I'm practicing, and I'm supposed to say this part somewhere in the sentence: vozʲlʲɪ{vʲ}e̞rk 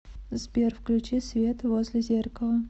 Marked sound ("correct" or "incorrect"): incorrect